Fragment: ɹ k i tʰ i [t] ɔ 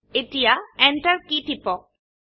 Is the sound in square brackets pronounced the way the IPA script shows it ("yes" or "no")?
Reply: no